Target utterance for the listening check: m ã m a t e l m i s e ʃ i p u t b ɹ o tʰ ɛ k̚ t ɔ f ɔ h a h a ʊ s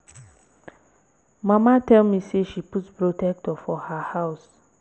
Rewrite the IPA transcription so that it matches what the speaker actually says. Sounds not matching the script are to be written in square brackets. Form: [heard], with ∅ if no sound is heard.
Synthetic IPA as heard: m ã m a t [ɛ] l m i s e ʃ i p u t [p] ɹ o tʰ ɛ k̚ t ɔ f ɔ h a h a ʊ s